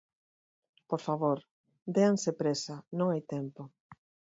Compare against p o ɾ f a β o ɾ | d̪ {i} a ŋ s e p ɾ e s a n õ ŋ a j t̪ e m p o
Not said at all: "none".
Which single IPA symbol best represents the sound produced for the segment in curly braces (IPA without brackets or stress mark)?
e